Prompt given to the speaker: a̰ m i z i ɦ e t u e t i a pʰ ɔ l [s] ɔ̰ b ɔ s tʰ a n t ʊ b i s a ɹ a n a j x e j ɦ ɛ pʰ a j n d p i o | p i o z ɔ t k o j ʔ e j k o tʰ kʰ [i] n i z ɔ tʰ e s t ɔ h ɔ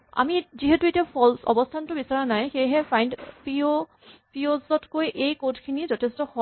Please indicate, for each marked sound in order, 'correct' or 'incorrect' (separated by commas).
correct, correct